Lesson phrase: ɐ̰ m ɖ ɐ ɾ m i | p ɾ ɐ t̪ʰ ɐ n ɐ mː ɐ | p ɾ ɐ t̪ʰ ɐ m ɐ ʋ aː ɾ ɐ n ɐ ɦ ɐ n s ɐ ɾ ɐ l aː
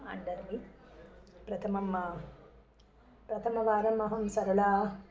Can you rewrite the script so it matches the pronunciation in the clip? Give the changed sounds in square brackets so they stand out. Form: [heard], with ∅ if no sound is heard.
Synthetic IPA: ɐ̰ [ɳ] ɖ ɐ ɾ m i | p ɾ ɐ t̪ʰ ɐ [m] ɐ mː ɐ | p ɾ ɐ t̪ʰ ɐ m ɐ ʋ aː ɾ ɐ [m] ɐ ɦ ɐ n s ɐ ɾ ɐ l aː